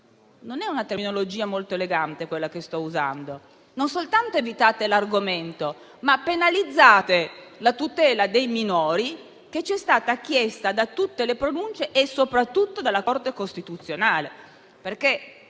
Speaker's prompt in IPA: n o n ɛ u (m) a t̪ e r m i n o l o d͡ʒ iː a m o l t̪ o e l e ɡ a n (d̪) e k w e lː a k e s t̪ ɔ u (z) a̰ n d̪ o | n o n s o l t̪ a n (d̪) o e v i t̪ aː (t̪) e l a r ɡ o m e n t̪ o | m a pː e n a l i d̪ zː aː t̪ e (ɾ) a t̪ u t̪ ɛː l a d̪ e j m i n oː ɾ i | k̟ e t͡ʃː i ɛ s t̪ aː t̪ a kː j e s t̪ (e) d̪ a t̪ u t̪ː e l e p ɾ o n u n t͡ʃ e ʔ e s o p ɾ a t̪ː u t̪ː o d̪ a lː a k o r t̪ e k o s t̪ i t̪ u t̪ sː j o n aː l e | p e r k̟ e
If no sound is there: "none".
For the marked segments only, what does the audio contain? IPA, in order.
n, t̪, z, t̪, t̪, l, a

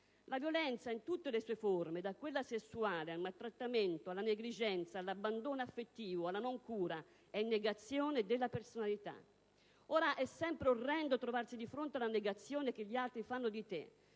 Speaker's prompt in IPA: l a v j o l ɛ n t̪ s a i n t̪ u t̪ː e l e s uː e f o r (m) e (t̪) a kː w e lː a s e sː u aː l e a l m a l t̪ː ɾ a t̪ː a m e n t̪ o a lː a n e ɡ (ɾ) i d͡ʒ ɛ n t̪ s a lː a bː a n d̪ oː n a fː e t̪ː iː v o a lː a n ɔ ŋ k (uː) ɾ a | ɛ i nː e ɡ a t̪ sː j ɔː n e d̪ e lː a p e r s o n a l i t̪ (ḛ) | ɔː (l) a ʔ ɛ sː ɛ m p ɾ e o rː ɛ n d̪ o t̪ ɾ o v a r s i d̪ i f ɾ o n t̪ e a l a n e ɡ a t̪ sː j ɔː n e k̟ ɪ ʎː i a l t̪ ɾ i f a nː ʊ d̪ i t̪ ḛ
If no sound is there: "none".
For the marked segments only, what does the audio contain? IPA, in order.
m, d̪, l, uː, a̰, ɾ

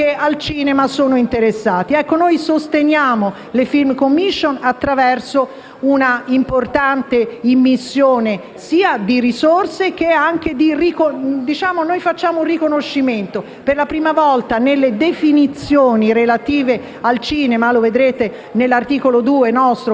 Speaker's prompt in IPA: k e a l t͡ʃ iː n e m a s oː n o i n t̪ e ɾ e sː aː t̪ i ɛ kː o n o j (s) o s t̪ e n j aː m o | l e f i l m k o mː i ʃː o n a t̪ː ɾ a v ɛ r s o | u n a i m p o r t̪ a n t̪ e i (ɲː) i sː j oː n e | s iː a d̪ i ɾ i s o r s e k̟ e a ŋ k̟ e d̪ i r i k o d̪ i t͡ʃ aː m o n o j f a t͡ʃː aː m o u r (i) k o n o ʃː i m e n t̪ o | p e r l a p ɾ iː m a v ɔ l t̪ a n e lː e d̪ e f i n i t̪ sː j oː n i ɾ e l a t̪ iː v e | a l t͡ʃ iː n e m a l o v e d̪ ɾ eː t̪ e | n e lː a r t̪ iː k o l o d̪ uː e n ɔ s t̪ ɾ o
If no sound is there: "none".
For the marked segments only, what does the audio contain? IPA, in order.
s, mː, i

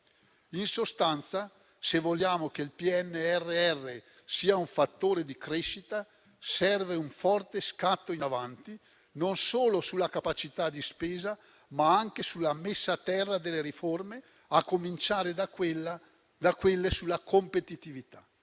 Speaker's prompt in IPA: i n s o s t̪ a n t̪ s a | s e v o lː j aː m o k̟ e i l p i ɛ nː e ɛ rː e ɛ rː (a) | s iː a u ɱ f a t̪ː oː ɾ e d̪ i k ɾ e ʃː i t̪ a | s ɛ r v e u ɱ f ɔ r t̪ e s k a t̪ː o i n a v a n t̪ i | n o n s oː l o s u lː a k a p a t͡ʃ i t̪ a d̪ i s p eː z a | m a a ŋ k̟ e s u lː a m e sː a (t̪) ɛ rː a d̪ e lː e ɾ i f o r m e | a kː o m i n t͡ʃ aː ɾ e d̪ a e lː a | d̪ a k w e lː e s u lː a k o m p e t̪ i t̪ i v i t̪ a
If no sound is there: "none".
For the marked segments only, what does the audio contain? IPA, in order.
e, t̪

